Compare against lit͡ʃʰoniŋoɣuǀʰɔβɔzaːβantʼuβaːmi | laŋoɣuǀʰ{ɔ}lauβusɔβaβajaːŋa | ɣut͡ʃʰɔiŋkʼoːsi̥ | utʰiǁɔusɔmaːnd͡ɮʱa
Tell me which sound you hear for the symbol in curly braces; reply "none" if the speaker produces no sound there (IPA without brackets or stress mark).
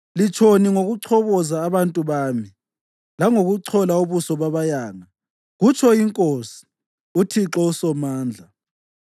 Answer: ɔ